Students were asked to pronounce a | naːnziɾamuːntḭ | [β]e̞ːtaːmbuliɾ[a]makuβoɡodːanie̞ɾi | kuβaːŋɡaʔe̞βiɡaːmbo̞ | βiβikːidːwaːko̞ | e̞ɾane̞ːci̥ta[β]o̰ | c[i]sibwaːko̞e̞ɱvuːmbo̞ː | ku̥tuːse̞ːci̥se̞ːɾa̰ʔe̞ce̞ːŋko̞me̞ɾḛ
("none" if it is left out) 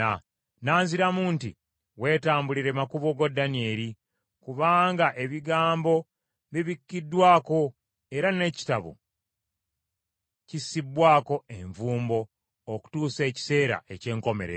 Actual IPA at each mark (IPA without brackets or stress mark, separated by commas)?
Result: w, e, β, i